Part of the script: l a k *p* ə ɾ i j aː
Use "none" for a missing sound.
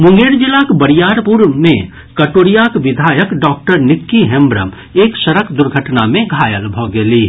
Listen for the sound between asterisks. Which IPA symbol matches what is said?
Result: b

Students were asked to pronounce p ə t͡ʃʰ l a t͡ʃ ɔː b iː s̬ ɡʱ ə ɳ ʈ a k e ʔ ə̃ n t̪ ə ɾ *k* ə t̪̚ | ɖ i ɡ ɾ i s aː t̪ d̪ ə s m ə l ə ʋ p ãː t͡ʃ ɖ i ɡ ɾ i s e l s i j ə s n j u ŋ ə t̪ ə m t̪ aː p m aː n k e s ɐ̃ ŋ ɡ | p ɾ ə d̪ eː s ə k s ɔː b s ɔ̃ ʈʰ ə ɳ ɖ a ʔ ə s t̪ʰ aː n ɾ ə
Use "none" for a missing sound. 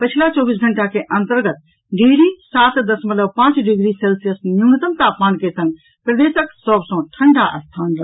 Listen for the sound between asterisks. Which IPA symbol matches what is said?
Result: ɡ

